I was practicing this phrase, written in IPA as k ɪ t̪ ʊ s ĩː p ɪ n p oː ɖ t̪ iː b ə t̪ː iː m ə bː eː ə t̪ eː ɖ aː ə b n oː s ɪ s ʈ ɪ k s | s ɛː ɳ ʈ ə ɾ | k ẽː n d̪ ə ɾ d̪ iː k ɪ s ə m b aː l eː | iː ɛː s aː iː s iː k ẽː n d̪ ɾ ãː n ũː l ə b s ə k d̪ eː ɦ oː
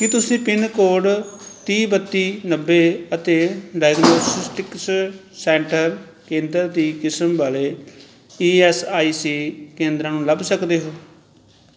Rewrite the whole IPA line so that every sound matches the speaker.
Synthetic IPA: k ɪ t̪ ʊ s ĩː p ɪ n k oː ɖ t̪ iː b ə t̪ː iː n ə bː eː ə t̪ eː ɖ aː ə ɡ n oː s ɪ s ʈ ɪ k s | s ɛː ɳ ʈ ə ɾ | k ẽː n d̪ ə ɾ d̪ iː k ɪ s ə m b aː l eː | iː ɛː s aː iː s iː k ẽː n d̪ ɾ ãː n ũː l ə b s ə k d̪ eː ɦ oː